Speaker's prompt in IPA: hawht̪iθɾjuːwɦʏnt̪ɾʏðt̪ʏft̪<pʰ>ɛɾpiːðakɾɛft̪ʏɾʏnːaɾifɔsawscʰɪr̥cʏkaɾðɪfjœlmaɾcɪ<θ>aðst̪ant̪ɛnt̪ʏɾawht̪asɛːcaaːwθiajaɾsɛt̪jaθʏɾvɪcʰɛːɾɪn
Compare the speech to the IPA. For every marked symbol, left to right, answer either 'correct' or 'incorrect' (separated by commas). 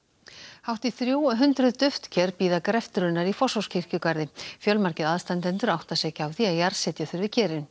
incorrect, incorrect